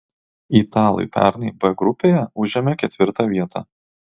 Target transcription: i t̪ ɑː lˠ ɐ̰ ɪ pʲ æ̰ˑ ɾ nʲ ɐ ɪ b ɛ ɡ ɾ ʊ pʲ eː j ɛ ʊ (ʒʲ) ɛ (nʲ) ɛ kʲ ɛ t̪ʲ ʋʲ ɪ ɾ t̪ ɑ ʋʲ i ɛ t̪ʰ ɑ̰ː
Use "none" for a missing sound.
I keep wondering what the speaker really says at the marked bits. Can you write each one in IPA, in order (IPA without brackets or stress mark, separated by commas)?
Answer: ʒʲ, mʲ